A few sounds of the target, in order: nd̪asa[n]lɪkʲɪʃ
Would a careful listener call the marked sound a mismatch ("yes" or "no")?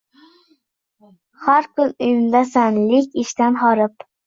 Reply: no